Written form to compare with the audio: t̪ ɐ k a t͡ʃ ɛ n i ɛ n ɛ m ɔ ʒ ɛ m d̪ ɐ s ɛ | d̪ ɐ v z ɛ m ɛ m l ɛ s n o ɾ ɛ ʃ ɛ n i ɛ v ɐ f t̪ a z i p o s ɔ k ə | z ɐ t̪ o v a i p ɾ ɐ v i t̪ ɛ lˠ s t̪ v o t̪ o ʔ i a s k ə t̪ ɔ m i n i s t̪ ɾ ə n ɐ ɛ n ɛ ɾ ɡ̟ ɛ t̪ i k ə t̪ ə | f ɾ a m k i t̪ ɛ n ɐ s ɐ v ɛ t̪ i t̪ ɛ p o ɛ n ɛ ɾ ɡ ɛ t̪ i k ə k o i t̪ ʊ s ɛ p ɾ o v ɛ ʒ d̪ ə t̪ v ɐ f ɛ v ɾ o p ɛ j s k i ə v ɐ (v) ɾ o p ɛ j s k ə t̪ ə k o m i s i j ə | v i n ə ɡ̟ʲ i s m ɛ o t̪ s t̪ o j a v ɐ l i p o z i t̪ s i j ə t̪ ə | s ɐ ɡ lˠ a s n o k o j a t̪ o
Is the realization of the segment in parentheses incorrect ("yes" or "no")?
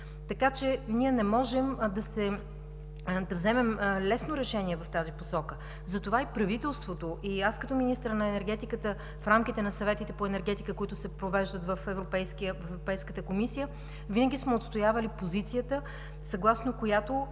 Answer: no